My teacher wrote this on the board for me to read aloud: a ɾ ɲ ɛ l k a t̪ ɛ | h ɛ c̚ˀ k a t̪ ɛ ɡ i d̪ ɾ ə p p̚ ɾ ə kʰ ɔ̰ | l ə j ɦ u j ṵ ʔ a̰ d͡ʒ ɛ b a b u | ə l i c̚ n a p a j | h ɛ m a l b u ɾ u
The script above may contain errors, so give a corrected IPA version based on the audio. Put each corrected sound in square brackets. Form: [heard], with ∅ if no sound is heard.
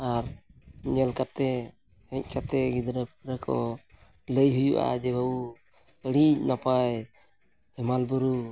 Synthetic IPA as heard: a ɾ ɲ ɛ l k a t̪ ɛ | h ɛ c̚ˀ k a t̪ ɛ ɡ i d̪ ɾ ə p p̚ ɾ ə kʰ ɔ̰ | l ə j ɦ u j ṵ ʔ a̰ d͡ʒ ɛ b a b u | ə [ɽ] i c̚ n a p a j | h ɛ m a l b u ɾ u

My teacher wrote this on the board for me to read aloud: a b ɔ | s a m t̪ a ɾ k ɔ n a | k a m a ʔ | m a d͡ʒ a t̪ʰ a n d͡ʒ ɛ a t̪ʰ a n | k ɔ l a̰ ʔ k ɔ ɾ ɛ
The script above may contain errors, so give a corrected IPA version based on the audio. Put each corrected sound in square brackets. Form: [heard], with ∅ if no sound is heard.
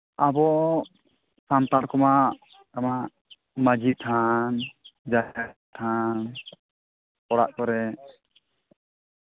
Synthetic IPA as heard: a b ɔ | s a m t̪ a ɾ k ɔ [m] a | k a m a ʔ | m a d͡ʒ [i] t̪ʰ a n d͡ʒ [a] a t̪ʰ a n | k ɔ [ɽ] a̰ ʔ k ɔ ɾ ɛ

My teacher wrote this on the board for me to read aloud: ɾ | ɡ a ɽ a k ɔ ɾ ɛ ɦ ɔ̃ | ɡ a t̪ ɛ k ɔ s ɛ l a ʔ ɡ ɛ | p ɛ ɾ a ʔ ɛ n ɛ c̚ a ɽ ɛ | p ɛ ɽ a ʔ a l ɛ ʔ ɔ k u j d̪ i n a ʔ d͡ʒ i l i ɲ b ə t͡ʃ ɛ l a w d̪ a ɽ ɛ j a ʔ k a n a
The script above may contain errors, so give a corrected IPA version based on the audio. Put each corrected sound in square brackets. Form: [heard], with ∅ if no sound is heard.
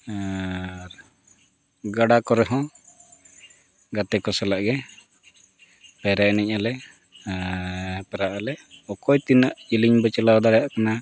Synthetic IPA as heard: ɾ | ɡ a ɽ a k ɔ ɾ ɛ ɦ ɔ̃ | ɡ a t̪ ɛ k ɔ s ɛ l a ʔ ɡ ɛ | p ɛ ɾ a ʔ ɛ n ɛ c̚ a [l] ɛ | p ɛ [ɾ] a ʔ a l ɛ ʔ ɔ k [ɔ] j [t̪] i n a ʔ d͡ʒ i l i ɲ b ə t͡ʃ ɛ l a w d̪ a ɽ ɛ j a ʔ k a n a

